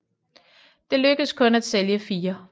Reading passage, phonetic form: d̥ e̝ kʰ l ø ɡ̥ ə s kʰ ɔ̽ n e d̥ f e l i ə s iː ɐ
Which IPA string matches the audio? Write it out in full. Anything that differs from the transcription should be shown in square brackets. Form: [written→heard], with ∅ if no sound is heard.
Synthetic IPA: d̥ e̝ [kʰ→∅] l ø ɡ̥ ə s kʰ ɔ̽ n [e→æ] d̥ [f→s] e l [i→j] ə [s→f] iː ɐ